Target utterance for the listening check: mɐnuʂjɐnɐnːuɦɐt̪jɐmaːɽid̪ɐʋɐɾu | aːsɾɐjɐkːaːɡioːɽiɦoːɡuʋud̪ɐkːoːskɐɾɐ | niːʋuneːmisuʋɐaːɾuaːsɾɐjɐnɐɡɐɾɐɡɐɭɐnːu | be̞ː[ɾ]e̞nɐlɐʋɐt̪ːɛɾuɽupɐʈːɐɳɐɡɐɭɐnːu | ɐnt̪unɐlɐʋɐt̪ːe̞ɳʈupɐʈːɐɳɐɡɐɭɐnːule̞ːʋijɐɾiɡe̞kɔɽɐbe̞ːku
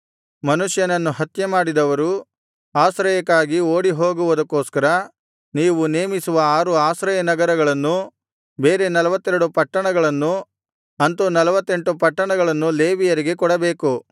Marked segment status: correct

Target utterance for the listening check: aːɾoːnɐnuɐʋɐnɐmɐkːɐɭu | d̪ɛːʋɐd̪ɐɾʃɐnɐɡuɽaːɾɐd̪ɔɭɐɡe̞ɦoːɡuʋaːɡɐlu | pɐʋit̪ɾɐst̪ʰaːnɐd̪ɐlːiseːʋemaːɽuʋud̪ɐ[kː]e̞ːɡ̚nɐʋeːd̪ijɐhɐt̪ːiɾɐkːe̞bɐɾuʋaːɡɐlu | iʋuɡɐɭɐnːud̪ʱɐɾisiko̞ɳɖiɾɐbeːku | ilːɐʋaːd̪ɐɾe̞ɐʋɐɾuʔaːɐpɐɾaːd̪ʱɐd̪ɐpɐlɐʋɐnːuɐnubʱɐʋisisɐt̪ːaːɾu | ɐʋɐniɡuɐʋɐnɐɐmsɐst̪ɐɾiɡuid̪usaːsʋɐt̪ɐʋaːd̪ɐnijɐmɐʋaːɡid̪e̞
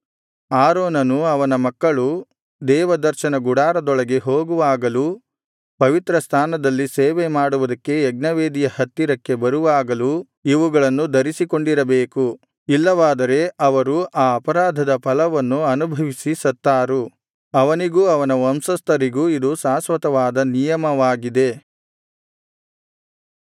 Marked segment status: correct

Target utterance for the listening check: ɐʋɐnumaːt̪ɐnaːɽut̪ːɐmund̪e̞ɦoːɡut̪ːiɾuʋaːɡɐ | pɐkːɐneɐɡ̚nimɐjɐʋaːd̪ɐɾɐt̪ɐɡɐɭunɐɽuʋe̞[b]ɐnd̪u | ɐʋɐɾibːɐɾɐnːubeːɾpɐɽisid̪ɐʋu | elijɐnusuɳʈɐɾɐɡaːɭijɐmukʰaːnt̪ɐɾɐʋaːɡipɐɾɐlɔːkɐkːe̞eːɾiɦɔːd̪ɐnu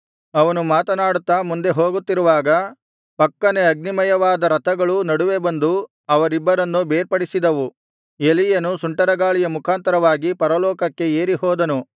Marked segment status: correct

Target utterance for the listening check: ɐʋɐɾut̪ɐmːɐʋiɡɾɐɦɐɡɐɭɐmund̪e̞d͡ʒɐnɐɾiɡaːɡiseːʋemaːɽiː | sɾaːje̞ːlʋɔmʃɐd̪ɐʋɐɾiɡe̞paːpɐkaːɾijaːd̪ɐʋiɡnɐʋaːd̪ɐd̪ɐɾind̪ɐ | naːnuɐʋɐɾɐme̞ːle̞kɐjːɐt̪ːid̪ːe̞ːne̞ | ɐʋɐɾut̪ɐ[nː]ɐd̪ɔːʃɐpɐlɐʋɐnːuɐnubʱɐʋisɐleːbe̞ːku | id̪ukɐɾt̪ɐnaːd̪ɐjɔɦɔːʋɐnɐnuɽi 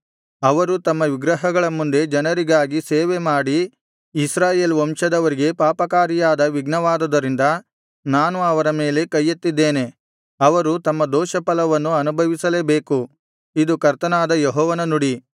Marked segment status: incorrect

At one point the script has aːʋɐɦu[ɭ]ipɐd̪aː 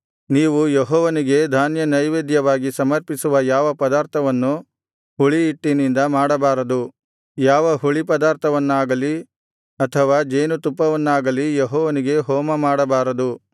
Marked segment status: correct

